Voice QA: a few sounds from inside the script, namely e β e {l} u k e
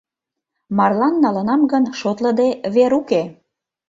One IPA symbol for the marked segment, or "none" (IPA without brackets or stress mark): ɾ